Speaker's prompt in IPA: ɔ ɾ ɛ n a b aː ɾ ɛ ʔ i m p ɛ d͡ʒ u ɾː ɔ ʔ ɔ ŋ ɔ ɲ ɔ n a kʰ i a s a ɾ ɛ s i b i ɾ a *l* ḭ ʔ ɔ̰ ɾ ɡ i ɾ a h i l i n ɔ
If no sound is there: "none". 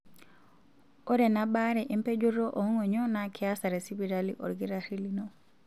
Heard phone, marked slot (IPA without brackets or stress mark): l